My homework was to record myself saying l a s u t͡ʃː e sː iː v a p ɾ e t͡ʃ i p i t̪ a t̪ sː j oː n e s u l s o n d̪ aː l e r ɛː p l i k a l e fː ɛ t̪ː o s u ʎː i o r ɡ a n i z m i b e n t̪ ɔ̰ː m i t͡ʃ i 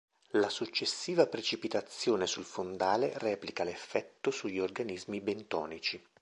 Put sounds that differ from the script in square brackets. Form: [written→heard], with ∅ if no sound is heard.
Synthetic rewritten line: l a s u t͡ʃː e sː iː v a p ɾ e t͡ʃ i p i t̪ a t̪ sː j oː n e s u l [s→f] o n d̪ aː l e r ɛː p l i k a l e fː ɛ t̪ː o s u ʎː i o r ɡ a n i z m i b e n t̪ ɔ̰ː [m→n] i t͡ʃ i